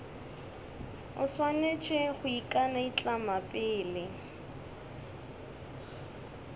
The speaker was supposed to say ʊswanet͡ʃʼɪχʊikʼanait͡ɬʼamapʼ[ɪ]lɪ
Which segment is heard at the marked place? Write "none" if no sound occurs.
ɪː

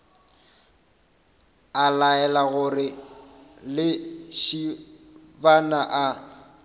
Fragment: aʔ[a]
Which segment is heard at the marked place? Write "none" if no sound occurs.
a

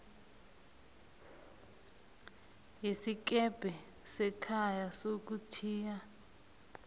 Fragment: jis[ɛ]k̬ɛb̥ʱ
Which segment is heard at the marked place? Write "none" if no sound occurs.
i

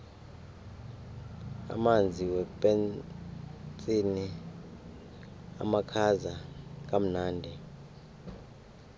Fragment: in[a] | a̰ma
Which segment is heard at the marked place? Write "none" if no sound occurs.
i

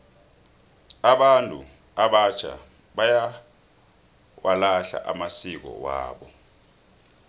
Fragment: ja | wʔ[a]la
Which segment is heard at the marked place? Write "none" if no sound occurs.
a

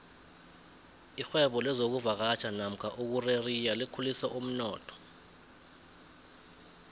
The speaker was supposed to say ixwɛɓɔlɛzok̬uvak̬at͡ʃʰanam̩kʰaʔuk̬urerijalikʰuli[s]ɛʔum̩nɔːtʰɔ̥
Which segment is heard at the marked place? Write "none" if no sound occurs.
s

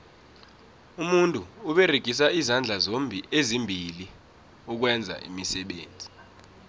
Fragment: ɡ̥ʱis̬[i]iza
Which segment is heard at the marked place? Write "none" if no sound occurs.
a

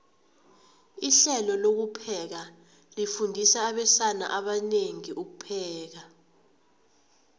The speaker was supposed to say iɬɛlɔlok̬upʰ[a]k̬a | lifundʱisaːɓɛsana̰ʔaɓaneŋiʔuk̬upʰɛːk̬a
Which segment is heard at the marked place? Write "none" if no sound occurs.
ɛ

